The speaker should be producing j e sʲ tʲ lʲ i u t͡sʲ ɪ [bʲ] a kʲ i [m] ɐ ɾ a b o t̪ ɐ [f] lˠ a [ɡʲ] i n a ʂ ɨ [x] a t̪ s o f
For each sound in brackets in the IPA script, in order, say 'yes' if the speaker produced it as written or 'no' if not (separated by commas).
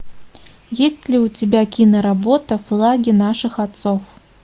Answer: yes, no, yes, yes, yes